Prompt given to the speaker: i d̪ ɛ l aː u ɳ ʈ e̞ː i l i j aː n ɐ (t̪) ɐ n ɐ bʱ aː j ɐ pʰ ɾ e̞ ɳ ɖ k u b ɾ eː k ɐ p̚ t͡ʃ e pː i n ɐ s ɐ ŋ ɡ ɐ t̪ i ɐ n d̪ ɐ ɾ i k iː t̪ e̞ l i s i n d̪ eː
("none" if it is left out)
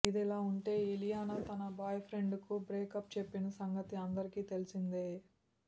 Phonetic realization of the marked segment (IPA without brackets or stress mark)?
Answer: t̪